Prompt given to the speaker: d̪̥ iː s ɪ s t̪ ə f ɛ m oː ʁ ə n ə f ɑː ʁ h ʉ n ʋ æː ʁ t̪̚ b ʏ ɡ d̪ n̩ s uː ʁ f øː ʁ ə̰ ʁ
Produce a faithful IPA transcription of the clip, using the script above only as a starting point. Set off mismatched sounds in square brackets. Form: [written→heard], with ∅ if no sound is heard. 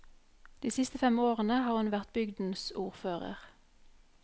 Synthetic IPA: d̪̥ iː s ɪ s t̪ ə f ɛ m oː ʁ ə n ə [f→h] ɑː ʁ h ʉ n ʋ [æː→æ] ʁ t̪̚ b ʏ ɡ d̪ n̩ s uː ʁ f øː ʁ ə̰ ʁ